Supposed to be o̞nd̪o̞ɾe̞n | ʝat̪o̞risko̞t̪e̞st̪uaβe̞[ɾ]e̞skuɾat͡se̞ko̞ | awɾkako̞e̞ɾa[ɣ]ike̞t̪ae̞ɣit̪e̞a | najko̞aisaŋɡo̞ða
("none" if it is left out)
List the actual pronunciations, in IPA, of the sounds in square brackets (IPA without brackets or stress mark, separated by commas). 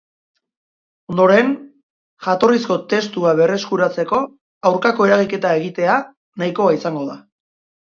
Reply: r, ɣ